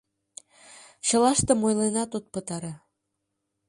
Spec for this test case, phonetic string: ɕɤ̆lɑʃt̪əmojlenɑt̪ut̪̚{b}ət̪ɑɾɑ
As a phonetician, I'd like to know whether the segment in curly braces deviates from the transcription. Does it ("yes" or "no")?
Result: yes